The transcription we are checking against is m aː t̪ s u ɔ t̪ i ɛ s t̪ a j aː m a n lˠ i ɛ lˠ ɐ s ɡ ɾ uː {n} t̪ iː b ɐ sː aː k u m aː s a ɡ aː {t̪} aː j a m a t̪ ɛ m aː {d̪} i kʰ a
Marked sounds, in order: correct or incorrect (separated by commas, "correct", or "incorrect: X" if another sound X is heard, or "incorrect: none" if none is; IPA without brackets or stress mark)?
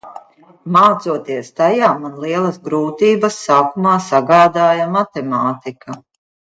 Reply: incorrect: none, incorrect: d̪, incorrect: t̪